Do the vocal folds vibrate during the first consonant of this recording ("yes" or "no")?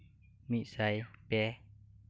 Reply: yes